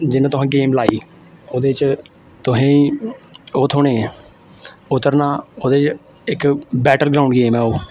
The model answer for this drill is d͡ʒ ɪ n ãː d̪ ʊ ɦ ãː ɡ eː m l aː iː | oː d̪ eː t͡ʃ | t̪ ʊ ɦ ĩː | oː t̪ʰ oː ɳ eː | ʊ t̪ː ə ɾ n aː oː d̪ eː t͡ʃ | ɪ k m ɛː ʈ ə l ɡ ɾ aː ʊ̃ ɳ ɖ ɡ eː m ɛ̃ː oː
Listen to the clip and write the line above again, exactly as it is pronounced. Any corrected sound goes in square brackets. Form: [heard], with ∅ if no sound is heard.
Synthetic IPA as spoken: d͡ʒ ɪ n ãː [t̪] ʊ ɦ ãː ɡ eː m l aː iː | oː d̪ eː t͡ʃ | t̪ ʊ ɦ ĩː | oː t̪ʰ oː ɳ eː | ʊ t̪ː ə ɾ n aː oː d̪ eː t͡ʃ | ɪ k [b] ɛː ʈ ə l ɡ ɾ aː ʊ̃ ɳ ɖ ɡ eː m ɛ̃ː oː

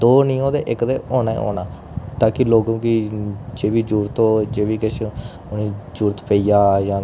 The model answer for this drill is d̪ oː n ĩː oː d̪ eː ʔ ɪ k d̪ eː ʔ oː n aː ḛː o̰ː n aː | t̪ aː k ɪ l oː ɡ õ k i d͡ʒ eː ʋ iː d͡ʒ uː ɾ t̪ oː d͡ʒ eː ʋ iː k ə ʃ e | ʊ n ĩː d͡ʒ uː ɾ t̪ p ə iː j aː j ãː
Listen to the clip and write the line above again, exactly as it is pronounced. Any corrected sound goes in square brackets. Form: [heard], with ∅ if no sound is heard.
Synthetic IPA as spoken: d̪ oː n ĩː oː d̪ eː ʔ ɪ k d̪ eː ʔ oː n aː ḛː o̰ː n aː | t̪ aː k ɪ l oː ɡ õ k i d͡ʒ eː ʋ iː d͡ʒ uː ɾ t̪ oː d͡ʒ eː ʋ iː k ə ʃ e | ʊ n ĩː d͡ʒ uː ɾ t̪ p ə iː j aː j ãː

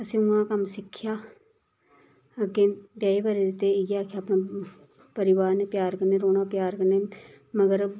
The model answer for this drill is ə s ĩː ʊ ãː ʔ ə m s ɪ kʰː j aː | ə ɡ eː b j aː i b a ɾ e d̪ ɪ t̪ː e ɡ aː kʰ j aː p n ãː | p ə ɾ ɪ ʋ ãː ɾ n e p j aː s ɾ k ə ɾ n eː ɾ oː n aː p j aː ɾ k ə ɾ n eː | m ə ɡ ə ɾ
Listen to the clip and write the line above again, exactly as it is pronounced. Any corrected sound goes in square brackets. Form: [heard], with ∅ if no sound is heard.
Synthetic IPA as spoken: ə s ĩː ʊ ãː [k] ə m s ɪ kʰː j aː | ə ɡ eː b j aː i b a ɾ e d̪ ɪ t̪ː e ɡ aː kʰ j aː p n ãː | p ə ɾ ɪ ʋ [aː] ɾ n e p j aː [∅] ɾ k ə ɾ n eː ɾ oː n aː p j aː ɾ k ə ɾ n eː | m ə ɡ ə ɾ

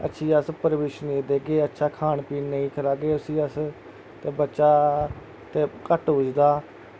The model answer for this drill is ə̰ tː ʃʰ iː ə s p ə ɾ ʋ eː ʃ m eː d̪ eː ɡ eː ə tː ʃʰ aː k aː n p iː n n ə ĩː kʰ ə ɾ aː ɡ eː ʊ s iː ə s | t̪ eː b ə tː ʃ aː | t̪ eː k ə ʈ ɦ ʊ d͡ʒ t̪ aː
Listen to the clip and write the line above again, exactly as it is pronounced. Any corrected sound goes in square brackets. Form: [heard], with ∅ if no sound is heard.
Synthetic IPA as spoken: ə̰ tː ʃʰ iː ə s p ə ɾ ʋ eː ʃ [n] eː d̪ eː ɡ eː ə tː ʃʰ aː [kʰ] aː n p iː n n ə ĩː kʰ ə ɾ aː ɡ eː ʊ s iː ə s | t̪ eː b ə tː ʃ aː | t̪ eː k ə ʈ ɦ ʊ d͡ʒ [d̪] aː

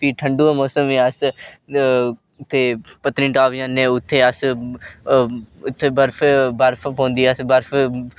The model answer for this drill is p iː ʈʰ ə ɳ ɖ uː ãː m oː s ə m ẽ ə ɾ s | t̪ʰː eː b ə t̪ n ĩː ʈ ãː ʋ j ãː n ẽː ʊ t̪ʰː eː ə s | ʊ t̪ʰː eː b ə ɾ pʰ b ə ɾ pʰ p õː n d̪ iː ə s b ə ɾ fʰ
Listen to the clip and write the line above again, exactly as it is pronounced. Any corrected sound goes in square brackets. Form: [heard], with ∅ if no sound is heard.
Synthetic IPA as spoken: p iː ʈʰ ə ɳ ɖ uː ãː m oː s ə m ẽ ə [∅] s | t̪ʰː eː [p] ə t̪ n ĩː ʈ [aː] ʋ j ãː n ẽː ʊ t̪ʰː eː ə s | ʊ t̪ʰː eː b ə ɾ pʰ b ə ɾ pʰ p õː n d̪ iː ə s b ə ɾ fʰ

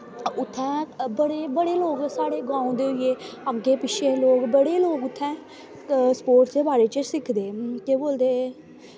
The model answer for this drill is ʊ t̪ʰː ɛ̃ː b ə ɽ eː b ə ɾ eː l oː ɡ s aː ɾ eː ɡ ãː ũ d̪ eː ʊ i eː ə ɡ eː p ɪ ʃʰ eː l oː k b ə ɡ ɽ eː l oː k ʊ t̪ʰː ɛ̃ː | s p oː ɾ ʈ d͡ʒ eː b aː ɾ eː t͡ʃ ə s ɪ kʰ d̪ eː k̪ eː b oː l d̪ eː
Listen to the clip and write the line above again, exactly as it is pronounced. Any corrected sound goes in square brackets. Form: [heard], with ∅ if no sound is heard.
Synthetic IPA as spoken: ʊ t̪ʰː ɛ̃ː b ə ɽ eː b ə [ɽ] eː l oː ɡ s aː [ɽ] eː ɡ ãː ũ d̪ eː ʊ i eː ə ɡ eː p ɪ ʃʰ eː l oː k b ə [∅] ɽ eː l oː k ʊ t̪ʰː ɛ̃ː | s p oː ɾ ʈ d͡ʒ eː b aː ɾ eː t͡ʃ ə s ɪ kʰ d̪ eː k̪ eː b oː l d̪ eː

